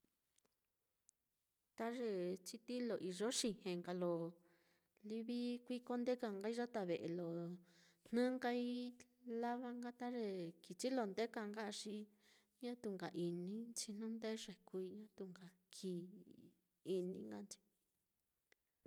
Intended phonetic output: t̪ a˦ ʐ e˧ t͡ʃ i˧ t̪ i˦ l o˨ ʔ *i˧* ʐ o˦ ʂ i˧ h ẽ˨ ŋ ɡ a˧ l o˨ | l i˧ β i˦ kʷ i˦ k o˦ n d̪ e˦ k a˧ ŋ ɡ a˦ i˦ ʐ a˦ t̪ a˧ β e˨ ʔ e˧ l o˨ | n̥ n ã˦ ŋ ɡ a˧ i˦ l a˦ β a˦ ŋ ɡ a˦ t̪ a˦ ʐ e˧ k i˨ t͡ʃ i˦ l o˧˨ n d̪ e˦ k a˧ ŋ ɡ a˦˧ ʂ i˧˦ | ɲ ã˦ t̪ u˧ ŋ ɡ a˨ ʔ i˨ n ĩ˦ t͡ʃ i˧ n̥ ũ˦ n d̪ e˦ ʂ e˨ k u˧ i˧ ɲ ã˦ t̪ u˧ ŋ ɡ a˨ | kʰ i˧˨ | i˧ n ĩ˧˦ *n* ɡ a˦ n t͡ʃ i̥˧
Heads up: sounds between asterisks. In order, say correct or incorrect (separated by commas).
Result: correct, incorrect